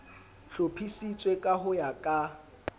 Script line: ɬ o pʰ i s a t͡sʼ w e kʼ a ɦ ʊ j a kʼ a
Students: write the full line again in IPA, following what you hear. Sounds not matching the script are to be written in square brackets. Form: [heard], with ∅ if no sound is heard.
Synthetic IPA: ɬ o pʰ i s [i] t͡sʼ w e kʼ a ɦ ʊ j a kʼ a